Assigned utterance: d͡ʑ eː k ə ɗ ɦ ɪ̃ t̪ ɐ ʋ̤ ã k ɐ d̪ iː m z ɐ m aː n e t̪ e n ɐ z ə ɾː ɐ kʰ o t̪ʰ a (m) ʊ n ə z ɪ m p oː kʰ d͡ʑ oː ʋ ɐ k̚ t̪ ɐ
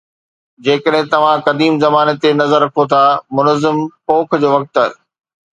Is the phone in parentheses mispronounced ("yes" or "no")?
no